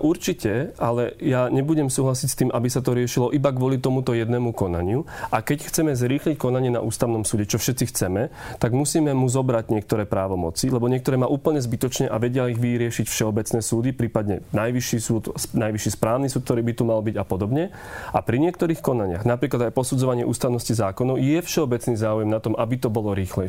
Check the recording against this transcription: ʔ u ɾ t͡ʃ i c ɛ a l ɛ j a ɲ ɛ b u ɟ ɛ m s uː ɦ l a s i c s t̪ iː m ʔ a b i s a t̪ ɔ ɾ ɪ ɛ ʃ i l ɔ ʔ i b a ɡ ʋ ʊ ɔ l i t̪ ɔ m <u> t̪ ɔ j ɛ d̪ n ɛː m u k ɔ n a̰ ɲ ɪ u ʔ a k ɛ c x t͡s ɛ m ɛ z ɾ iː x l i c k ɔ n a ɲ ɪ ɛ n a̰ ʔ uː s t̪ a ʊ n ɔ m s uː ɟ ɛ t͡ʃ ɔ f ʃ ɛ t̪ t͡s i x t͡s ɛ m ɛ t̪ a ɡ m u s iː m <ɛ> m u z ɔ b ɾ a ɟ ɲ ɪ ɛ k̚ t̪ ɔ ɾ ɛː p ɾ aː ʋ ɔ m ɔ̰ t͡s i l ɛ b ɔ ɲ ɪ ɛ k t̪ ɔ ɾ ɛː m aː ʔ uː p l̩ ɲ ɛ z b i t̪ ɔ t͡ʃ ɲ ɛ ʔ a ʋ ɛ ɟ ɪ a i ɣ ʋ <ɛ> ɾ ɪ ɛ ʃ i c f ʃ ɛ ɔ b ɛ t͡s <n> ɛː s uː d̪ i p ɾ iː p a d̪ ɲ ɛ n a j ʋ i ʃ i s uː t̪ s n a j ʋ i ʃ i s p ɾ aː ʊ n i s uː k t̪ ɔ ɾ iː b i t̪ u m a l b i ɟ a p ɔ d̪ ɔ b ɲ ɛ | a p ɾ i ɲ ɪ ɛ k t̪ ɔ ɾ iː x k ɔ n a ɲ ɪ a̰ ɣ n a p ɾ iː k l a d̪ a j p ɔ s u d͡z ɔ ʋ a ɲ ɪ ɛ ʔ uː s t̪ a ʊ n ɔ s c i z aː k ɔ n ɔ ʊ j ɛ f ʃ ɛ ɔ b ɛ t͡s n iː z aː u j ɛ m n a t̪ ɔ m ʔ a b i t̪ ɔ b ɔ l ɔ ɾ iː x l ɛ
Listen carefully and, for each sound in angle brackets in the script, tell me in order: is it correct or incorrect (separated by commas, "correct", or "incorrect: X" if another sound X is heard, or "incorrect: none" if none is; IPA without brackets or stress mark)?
correct, correct, incorrect: i, correct